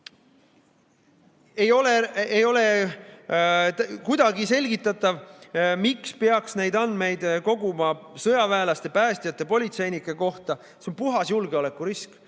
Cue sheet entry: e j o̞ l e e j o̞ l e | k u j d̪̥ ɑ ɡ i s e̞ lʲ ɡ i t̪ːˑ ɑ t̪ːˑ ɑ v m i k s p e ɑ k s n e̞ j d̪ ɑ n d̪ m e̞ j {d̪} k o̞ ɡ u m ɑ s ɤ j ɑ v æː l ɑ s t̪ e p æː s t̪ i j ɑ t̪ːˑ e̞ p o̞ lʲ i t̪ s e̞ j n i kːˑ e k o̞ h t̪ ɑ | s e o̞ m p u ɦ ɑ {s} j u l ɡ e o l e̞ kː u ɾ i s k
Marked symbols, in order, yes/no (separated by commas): yes, yes